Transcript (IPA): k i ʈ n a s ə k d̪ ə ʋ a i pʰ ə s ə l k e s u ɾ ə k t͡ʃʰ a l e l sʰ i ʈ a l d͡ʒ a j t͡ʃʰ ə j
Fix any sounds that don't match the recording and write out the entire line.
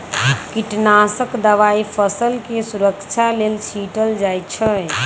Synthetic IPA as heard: k i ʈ n a s ə k d̪ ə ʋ a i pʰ ə s ə l k e s u ɾ ə k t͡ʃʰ a l e l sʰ i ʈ ə l d͡ʒ a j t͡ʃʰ ə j